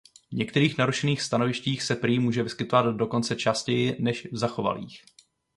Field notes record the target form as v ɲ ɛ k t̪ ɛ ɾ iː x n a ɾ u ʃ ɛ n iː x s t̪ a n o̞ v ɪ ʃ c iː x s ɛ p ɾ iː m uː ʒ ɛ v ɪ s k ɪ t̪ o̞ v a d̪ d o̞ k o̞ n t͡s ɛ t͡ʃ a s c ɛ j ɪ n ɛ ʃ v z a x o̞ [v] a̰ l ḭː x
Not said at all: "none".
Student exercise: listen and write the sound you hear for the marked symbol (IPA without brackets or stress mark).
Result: v